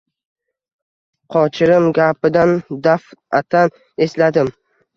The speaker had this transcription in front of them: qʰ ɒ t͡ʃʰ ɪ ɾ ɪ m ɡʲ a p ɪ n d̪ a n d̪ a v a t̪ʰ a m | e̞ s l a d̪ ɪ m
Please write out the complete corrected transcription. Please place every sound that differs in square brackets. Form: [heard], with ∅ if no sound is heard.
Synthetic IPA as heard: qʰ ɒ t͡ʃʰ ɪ ɾ ɪ m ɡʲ a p ɪ [∅] d̪ a n d̪ a [f] a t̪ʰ a [n] | e̞ s l a d̪ ɪ m